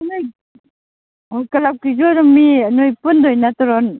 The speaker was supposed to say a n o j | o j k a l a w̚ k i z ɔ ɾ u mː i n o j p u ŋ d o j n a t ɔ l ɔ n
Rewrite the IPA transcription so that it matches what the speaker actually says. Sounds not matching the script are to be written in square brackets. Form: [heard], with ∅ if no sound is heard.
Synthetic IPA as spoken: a n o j | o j k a l a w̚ k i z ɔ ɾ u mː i n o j p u [n] d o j n a t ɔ [ɾ] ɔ n

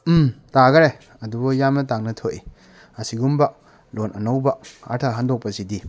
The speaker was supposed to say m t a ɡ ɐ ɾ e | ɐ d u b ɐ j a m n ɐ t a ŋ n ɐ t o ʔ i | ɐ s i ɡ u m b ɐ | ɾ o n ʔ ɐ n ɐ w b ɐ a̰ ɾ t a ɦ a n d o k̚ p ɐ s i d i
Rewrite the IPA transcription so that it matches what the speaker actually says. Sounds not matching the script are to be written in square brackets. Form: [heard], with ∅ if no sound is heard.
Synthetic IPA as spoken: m t a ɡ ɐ ɾ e | ɐ d u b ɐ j a m n ɐ t a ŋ n ɐ [tʰ] o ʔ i | ɐ s i ɡ u m b ɐ | [l] o n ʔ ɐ n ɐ w b ɐ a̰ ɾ [tʰ] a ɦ a n d o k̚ p ɐ s i d i

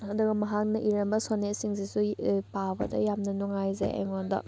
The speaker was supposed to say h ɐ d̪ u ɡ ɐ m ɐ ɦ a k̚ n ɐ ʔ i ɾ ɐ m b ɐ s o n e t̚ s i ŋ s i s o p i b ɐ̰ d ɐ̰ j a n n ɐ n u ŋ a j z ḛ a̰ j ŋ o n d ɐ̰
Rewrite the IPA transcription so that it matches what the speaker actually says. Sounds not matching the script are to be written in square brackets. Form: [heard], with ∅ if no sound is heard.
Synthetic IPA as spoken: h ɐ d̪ u ɡ ɐ m ɐ ɦ a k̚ n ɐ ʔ i ɾ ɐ m b ɐ s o n e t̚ s i ŋ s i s [u] p [a] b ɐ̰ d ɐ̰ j a [m] n ɐ n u ŋ a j z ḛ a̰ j ŋ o n d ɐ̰

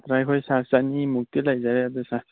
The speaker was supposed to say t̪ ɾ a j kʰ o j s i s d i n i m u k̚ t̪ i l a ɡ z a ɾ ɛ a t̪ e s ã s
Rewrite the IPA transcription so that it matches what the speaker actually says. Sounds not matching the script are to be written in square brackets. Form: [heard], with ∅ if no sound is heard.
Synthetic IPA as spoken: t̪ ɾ a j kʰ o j s [a] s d [a] n i m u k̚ t̪ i l a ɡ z a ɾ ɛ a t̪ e s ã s

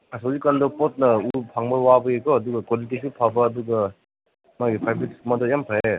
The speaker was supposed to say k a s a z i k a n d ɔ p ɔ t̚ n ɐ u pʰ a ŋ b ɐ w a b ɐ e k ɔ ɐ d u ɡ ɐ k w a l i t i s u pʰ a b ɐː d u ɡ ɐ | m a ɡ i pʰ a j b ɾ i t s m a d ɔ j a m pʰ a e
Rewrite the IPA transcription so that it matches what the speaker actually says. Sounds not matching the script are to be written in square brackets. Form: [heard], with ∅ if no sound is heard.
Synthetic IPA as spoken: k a s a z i k a n d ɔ p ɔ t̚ n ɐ u pʰ a ŋ b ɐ w a b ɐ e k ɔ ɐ d u ɡ ɐ k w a l i t i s u pʰ a b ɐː d u ɡ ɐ | m a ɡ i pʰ a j b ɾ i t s m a d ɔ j a m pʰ a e

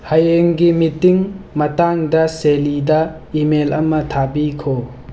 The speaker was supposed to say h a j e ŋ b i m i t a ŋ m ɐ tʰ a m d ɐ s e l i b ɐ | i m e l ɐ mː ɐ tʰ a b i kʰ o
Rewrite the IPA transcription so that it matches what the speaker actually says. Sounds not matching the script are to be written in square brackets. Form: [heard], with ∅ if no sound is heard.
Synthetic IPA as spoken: h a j e ŋ [ɡ] i m i t [i] ŋ m ɐ [t] a [ŋ] d ɐ s e l i [d] ɐ | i m e l ɐ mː ɐ tʰ a b i kʰ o

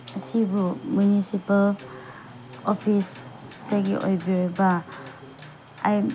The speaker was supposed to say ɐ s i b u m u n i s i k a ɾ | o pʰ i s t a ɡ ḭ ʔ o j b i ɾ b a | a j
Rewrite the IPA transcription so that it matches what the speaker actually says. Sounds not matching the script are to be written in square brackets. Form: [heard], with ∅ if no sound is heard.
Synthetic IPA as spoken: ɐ s i b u m u n i s i [p] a [l] | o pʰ i s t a ɡ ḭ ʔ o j b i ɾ b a | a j

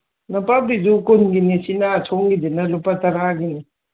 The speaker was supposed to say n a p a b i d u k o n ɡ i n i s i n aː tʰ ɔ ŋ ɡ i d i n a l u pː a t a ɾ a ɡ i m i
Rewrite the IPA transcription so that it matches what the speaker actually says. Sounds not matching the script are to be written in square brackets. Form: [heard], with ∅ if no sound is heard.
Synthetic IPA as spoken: n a p a b i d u k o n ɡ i n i s i n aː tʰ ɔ ŋ ɡ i d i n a l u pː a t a ɾ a ɡ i [n] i

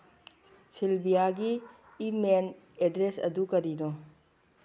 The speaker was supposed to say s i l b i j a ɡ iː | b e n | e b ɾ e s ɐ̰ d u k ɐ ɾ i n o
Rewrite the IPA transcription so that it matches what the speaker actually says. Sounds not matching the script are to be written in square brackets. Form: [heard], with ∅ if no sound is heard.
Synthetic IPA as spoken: s i l b i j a ɡ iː | [m] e n | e [d] ɾ e s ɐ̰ d u k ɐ ɾ i n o

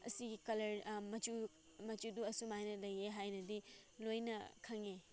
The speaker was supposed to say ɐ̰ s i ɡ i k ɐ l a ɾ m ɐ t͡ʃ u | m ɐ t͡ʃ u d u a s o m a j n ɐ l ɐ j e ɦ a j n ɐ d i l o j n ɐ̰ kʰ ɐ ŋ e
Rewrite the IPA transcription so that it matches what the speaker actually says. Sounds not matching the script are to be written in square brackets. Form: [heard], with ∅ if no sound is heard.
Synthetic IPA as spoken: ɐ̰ s i ɡ i k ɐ l [ɐ] ɾ m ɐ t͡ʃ u | m ɐ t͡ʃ u d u [ɐ] s [u] m a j n ɐ l ɐ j e ɦ a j n ɐ d i l o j n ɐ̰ kʰ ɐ ŋ e

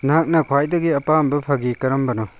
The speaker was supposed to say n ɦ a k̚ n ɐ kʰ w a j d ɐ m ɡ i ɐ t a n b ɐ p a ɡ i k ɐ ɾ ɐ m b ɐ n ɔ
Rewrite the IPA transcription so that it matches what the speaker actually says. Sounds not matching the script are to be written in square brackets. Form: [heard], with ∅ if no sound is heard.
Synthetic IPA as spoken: n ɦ a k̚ n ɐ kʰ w a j d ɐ [∅] ɡ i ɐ [p] a [m] b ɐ [pʰ] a ɡ i k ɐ ɾ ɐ m b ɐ n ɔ

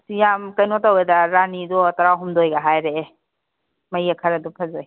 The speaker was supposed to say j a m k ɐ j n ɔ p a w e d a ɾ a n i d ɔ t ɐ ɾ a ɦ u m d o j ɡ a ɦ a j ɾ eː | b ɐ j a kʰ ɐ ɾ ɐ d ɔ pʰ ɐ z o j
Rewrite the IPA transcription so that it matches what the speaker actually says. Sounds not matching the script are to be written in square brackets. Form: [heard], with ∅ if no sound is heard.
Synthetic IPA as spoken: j a m k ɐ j n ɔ [t] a w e d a ɾ a n i d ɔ t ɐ ɾ a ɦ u m d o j ɡ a ɦ a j ɾ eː | [m] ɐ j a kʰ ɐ ɾ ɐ d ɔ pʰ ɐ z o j

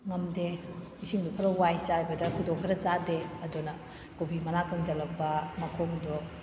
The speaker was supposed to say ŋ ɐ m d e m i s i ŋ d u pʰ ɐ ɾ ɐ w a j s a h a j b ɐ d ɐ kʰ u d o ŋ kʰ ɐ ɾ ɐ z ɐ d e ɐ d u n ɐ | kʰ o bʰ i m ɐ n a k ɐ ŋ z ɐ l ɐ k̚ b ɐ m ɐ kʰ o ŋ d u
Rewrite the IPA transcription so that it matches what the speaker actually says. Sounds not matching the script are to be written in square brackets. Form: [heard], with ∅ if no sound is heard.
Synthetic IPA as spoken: ŋ ɐ m d e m i s i ŋ d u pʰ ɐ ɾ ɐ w a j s a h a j b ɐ d ɐ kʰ u d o ŋ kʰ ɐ ɾ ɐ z [a] d e ɐ d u n ɐ | [k] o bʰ i m ɐ n a k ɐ ŋ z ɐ l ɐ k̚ b ɐ m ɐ kʰ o ŋ d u

